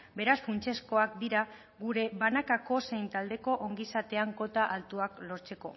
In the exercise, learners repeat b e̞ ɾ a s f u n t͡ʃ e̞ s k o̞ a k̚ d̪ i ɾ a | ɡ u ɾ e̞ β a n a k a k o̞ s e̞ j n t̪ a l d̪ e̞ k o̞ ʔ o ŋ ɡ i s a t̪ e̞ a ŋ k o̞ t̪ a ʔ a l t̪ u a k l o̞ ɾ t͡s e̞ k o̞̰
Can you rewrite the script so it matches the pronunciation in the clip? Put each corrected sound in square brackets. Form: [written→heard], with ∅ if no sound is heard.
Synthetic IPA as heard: b e̞ ɾ a s f u n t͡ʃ e̞ s k o̞ a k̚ d̪ i ɾ a | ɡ u ɾ e̞ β a n a k a k o̞ s e̞ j n t̪ a l d̪ e̞ k o̞ ʔ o ŋ ɡ i s a t̪ e̞ a ŋ k o̞ t̪ a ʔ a l t̪ u a k l o̞ ɾ t͡s e̞ k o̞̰